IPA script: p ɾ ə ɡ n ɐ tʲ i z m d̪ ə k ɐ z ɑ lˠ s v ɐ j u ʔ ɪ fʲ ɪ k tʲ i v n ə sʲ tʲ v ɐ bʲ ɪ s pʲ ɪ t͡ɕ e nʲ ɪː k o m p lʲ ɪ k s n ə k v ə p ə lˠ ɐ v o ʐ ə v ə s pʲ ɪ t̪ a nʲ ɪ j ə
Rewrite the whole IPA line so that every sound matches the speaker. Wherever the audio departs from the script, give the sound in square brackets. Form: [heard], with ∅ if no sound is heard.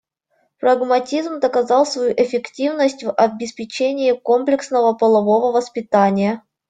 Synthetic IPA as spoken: p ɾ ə ɡ [m] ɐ tʲ i z m d̪ ə k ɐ z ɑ lˠ s v ɐ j u ʔ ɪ fʲ ɪ k tʲ i v n ə sʲ tʲ v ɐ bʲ ɪ s pʲ ɪ t͡ɕ e nʲ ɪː k o m p lʲ ɪ k s n ə [∅] v ə p ə lˠ ɐ v o [v] ə v ə s pʲ ɪ t̪ a nʲ ɪ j ə